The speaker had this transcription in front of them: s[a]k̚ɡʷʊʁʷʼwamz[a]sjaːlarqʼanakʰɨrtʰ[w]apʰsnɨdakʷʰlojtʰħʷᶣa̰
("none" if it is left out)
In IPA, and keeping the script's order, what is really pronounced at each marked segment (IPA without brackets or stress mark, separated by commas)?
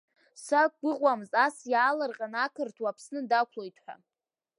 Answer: a, a, w